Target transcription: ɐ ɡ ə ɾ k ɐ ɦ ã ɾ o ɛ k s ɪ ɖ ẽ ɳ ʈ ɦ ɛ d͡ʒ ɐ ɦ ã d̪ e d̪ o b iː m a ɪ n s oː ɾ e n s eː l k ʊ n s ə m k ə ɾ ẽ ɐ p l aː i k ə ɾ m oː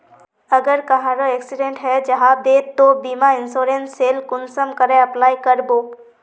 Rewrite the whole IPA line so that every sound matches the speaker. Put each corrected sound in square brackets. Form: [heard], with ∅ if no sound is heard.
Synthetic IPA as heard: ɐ ɡ ə ɾ k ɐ ɦ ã ɾ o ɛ k s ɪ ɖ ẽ ɳ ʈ ɦ ɛ d͡ʒ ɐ ɦ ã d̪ e [t̪] o b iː m a ɪ n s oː ɾ e n s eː l k ʊ n s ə m k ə ɾ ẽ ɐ p l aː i k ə ɾ [b] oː